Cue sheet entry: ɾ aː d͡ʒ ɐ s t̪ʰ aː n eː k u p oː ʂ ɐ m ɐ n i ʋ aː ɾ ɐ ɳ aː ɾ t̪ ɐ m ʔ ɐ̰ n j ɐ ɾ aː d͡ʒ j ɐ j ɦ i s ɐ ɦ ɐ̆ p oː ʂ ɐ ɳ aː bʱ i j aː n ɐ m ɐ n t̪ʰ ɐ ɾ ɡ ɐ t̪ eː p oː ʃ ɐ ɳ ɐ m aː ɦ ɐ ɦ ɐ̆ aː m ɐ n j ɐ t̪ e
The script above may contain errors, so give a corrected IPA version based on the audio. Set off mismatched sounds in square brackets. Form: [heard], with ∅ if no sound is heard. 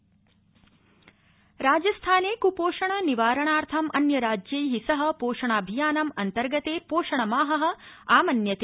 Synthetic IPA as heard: ɾ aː d͡ʒ ɐ s t̪ʰ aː n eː k u p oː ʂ ɐ [ɳ] ɐ n i ʋ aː ɾ ɐ ɳ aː ɾ [t̪ʰ] ɐ m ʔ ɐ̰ n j ɐ ɾ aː d͡ʒ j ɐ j ɦ i s ɐ ɦ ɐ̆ p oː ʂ ɐ ɳ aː bʱ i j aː n ɐ m ɐ n [t̪] ɐ ɾ ɡ ɐ t̪ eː p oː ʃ ɐ ɳ ɐ m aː ɦ ɐ ɦ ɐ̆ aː m ɐ n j ɐ t̪ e